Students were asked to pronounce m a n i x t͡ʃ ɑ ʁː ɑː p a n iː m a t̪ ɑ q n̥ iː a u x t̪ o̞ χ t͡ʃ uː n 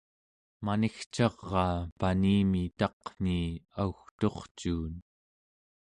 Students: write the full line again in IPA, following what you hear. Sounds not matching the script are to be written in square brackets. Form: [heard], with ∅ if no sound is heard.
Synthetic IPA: m a n i x t͡ʃ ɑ ʁː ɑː p a n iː m [i] t̪ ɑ q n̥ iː a u x t̪ o̞ χ t͡ʃ uː n

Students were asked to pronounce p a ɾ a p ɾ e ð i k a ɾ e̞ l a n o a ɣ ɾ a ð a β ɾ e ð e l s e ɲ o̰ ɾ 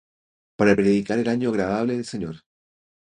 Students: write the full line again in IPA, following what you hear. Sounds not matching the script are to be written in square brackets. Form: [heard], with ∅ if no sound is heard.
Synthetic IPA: p a ɾ a p ɾ e ð i k a ɾ e̞ l a [ɲ] o a ɣ ɾ a ð a β [l] e ð e l s e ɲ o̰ ɾ

